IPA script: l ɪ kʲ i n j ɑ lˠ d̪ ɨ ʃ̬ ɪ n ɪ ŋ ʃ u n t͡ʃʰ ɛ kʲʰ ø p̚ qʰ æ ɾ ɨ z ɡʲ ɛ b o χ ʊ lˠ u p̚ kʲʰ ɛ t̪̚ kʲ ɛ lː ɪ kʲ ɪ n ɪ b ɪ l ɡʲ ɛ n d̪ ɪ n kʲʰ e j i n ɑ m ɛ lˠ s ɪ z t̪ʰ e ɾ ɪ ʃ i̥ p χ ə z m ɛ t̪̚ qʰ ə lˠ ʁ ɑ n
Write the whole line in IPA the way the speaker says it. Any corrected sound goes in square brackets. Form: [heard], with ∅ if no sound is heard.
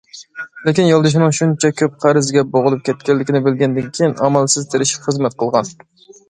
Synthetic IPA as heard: l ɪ kʲ i n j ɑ lˠ d̪ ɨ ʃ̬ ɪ n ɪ ŋ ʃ u n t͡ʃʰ ɛ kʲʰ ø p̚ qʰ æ ɾ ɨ z ɡʲ ɛ b o [ʁ] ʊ lˠ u p̚ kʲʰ ɛ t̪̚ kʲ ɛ lː ɪ kʲ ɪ n ɪ b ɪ l ɡʲ ɛ n d̪ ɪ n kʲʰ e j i n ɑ m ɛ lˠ s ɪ z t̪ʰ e ɾ ɪ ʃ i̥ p χ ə z m ɛ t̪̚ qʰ ə lˠ ʁ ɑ n